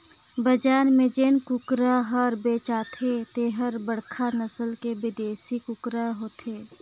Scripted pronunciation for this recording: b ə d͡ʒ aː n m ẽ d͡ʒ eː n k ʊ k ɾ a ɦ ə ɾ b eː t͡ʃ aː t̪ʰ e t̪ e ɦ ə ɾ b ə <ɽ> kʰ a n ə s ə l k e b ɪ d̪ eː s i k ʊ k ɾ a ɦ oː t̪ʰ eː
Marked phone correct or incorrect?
correct